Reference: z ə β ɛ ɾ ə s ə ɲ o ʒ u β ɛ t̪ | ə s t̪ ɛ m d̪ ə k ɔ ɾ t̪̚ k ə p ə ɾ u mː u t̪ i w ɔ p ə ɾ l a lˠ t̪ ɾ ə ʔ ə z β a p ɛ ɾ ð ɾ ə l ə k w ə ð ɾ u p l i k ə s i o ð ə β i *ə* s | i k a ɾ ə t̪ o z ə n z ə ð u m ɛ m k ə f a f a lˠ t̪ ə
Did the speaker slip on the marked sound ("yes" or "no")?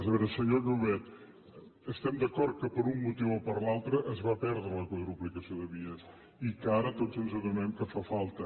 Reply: no